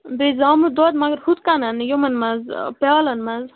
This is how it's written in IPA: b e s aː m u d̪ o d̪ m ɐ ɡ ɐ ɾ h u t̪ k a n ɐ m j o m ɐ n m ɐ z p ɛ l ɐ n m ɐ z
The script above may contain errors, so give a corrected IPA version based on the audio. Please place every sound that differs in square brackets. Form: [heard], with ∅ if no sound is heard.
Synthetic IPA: b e [z] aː m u d̪ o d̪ m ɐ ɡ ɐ ɾ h u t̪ k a n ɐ [n] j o m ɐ n m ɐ z p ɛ l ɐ n m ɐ z